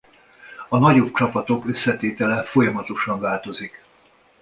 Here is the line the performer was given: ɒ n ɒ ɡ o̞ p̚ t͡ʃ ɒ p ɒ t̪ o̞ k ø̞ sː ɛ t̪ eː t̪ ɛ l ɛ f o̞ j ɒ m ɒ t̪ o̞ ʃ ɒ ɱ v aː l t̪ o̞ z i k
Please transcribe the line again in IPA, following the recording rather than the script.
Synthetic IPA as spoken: ɒ n ɒ ɟ o̞ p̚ t͡ʃ ɒ p ɒ t̪ o̞ k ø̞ sː ɛ t̪ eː t̪ ɛ l ɛ f o̞ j ɒ m ɒ t̪ o̞ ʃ ɒ ɱ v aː l t̪ o̞ z i k